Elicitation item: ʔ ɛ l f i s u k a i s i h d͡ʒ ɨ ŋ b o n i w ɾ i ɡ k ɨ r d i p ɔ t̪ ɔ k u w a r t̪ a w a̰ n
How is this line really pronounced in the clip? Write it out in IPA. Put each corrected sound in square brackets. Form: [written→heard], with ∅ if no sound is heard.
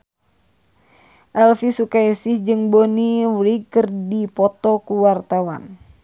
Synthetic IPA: ʔ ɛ l f i s u k a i s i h d͡ʒ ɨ ŋ b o n i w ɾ i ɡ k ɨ r d i p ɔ t̪ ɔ k u w a r t̪ a w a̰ n